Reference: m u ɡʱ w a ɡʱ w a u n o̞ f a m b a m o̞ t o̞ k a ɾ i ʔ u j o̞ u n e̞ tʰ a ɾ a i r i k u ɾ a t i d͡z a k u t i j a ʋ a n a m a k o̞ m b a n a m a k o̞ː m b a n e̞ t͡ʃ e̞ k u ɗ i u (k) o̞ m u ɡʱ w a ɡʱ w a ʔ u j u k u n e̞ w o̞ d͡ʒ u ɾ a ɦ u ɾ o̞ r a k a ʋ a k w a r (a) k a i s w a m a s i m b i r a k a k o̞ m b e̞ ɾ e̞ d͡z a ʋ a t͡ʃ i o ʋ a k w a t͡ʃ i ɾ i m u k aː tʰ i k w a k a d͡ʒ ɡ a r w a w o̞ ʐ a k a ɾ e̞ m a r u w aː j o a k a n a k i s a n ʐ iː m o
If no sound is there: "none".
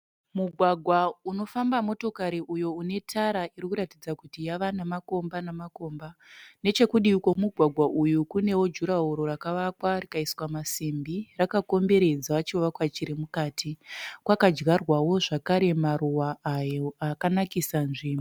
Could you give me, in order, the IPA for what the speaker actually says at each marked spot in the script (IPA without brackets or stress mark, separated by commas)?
k, i